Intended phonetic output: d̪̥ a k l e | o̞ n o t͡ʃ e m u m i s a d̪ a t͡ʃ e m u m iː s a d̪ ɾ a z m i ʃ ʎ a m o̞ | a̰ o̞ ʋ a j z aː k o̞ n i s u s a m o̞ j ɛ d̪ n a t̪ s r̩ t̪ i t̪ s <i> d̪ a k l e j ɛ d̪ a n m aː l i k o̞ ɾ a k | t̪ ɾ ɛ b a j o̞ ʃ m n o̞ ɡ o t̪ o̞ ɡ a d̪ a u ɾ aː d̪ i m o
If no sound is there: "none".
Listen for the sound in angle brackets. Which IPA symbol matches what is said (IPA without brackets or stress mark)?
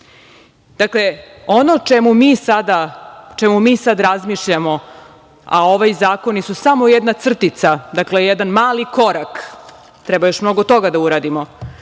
a